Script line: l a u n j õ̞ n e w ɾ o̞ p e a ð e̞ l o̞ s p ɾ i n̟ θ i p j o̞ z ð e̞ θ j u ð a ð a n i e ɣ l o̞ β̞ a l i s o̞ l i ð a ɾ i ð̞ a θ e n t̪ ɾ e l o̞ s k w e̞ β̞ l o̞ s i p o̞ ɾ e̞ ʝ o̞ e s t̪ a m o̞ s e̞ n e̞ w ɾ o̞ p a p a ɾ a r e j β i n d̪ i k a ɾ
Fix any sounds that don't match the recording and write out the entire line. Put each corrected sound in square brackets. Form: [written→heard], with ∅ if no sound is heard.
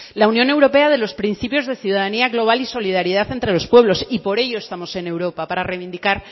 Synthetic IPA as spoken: l a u n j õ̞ n e w ɾ o̞ p e a ð e̞ l o̞ s p ɾ i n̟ θ i p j o̞ z ð e̞ θ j u ð a ð a n i [e→a] ɣ l o̞ β̞ a l i s o̞ l i ð a ɾ i ð̞ a θ e n t̪ ɾ e l o̞ s [k→p] w e̞ β̞ l o̞ s i p o̞ ɾ e̞ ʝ o̞ e s t̪ a m o̞ s e̞ n e̞ w ɾ o̞ p a p a ɾ a r e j β i n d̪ i k a ɾ